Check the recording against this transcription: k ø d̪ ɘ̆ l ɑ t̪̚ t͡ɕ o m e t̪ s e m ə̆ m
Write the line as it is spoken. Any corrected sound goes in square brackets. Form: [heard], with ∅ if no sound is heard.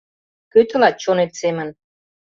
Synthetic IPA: k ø [t̪] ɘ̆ l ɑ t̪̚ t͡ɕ o [n] e t̪ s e m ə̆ [n]